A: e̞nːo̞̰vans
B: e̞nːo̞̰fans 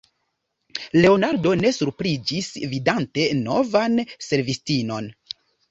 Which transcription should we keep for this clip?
A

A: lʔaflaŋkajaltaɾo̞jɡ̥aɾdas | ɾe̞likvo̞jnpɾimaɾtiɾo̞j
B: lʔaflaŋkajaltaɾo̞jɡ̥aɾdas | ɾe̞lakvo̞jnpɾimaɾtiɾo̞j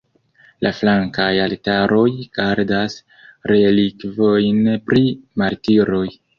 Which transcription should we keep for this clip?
A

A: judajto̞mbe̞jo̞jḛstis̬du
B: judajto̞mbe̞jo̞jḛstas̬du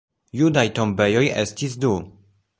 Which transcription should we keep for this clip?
A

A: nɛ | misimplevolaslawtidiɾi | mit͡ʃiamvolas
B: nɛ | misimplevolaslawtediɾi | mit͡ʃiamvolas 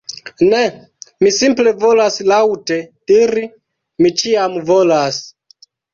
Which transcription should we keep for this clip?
B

